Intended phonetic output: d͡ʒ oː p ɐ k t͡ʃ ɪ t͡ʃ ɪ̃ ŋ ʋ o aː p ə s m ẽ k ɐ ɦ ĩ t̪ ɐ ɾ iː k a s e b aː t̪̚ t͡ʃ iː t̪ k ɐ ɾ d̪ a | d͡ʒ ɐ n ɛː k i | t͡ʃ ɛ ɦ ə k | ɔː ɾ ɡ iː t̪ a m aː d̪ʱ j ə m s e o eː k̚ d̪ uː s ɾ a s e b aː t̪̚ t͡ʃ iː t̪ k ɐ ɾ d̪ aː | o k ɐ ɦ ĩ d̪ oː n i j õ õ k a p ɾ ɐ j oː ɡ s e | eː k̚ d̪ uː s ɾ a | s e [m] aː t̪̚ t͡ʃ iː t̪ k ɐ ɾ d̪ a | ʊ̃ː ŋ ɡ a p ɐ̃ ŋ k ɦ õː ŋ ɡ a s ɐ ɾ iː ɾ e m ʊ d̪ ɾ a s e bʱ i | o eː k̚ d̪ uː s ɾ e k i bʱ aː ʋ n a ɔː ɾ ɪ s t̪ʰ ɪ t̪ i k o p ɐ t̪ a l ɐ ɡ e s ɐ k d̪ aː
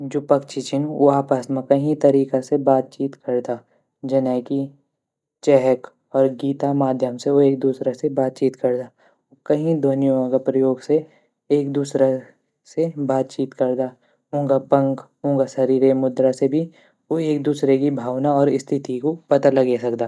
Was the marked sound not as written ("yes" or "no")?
yes